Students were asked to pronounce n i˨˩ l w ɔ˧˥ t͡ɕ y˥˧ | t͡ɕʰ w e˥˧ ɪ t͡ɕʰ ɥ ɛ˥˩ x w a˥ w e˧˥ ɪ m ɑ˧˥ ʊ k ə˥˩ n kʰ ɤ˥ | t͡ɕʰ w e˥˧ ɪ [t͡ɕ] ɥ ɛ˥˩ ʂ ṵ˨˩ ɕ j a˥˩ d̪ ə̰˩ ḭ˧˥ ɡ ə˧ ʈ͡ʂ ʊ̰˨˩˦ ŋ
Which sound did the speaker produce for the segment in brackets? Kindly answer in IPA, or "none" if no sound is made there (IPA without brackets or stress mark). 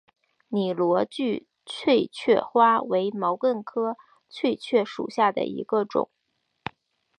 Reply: t͡ɕʰ